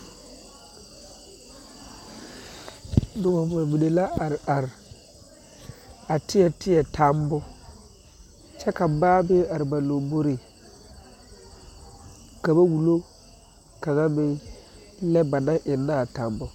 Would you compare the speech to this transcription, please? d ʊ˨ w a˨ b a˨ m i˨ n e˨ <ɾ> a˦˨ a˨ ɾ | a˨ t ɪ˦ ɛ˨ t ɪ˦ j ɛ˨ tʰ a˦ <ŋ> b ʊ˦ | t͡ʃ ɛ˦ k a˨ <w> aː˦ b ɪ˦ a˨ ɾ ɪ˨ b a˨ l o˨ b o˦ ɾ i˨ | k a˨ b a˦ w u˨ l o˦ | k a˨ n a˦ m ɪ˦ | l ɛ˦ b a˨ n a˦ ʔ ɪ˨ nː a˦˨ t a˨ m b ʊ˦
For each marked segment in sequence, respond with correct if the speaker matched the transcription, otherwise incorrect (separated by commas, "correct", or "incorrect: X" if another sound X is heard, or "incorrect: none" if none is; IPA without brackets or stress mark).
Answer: incorrect: l, incorrect: m, incorrect: b